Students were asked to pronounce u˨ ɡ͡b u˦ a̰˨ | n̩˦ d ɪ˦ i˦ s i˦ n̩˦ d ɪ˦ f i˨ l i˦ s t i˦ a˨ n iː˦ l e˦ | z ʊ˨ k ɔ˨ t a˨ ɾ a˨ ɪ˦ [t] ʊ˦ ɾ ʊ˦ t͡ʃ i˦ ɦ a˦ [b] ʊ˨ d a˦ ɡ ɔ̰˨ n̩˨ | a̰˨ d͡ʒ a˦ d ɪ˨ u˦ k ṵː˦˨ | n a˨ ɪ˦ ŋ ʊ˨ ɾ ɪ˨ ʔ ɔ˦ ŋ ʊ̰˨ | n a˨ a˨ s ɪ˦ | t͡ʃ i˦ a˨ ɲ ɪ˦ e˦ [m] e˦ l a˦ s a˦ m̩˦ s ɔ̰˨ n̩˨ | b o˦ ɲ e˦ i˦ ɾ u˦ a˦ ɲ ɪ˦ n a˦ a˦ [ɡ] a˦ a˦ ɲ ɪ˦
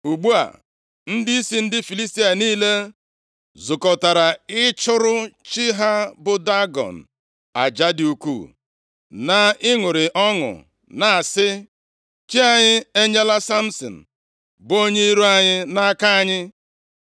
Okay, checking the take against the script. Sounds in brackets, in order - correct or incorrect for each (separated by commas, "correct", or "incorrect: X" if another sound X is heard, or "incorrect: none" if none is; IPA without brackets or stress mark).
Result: incorrect: t͡ʃ, correct, incorrect: ɲ, incorrect: k